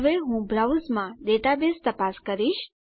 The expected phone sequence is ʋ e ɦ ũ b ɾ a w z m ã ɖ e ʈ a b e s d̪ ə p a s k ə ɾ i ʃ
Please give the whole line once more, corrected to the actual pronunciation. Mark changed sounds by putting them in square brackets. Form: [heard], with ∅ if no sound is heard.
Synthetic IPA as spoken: ʋ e ɦ ũ b ɾ a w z m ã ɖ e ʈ a b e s [t̪] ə p a s k ə ɾ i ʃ